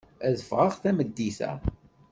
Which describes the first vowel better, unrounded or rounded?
unrounded